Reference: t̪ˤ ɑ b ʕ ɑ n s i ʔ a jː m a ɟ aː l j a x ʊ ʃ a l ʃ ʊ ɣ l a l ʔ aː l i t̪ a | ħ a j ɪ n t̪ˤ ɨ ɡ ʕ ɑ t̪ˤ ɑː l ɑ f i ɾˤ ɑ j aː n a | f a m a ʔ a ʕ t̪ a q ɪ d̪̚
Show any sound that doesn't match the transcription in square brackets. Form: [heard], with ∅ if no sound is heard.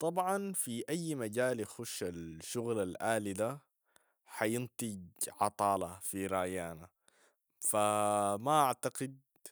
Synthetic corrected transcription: t̪ˤ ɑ b ʕ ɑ n [f] i ʔ a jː m a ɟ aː l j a x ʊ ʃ a l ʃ ʊ ɣ l a l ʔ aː l i [d̪] a | ħ a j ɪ n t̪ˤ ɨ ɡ ʕ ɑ t̪ˤ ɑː l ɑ f i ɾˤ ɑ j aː n a | f a m a ʔ a ʕ t̪ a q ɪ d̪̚